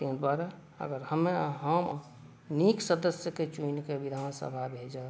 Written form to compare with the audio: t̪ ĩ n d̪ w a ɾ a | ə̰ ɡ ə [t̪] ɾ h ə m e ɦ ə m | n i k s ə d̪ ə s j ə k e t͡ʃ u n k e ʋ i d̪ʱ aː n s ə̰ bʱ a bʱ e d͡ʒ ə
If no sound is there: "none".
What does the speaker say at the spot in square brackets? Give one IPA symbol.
none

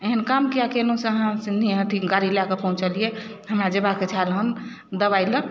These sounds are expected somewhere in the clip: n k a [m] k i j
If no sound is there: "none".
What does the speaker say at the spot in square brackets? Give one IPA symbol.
m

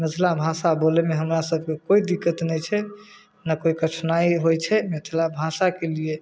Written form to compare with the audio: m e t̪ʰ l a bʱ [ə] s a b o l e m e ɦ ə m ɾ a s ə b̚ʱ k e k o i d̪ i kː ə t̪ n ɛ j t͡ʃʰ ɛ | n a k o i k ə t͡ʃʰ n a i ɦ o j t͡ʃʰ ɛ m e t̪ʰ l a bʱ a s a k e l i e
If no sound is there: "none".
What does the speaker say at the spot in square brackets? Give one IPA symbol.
a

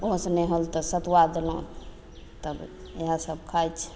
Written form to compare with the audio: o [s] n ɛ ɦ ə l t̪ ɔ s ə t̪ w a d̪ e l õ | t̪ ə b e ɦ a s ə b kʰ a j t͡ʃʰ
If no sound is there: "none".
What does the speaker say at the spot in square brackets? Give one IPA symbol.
s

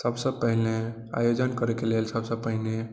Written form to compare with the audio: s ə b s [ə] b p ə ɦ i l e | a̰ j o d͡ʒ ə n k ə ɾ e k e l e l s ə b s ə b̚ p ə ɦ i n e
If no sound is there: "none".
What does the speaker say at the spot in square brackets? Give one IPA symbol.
ə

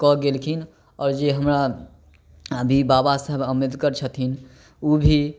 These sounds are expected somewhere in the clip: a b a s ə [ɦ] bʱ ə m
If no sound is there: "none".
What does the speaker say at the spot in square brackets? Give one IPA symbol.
ɦ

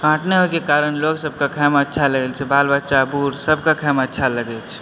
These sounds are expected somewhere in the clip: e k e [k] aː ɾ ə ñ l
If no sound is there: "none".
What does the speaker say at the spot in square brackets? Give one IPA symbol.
k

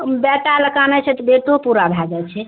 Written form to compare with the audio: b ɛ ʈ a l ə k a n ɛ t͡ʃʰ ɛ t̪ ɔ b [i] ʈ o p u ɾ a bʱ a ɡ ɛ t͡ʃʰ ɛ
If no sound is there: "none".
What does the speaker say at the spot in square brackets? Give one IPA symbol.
e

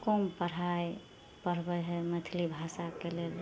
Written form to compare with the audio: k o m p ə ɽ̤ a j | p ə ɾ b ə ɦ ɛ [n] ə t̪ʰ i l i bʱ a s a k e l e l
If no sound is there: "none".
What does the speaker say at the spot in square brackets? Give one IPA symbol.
m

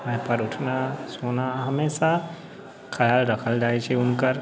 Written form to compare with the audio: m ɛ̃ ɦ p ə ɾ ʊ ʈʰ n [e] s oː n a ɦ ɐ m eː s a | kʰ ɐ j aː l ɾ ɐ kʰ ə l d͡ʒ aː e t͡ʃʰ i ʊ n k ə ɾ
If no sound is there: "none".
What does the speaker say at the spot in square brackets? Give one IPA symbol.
a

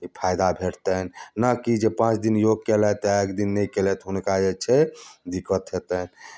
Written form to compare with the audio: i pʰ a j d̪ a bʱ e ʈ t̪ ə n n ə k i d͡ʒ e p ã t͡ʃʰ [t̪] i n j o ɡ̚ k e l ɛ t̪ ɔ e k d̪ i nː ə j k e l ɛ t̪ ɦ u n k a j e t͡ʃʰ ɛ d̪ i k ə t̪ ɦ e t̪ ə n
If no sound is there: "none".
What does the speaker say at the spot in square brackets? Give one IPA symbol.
d̪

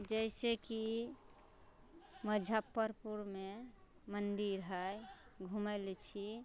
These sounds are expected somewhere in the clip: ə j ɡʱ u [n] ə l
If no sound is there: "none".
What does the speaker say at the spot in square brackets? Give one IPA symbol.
m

